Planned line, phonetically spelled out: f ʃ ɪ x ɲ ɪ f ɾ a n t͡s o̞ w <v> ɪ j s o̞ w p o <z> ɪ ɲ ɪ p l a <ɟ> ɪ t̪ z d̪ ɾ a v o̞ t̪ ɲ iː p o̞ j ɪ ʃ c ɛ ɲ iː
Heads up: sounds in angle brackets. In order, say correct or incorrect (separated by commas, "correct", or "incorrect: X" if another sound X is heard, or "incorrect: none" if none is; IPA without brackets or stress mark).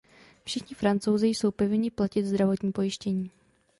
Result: incorrect: z, incorrect: v, incorrect: c